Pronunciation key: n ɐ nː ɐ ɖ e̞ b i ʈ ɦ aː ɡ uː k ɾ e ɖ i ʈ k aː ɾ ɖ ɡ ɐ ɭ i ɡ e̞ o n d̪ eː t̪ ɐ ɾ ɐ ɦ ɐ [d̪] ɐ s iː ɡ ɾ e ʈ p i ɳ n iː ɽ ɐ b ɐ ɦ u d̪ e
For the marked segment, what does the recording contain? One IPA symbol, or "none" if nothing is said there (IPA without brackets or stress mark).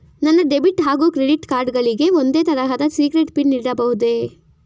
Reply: d̪